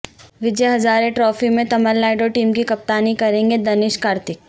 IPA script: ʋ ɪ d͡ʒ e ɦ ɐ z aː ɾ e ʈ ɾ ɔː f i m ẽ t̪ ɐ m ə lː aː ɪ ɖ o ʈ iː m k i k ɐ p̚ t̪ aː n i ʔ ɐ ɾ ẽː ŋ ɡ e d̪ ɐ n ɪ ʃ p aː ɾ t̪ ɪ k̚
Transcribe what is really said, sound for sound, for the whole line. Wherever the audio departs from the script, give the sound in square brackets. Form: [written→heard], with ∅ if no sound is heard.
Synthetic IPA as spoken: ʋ ɪ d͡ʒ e ɦ ɐ z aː ɾ e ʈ ɾ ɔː f i m ẽ t̪ ɐ m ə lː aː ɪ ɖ o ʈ iː m k i k ɐ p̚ t̪ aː n i [ʔ→k] ɐ ɾ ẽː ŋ ɡ e d̪ ɐ n ɪ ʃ [p→k] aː ɾ t̪ ɪ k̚